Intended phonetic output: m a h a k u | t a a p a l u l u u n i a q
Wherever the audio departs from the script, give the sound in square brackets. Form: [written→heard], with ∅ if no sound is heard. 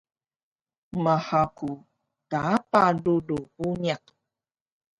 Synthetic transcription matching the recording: m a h a k u | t a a p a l u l u u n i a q